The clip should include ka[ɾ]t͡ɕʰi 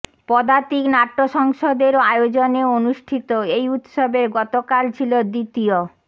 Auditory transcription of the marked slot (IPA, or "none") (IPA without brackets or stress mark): l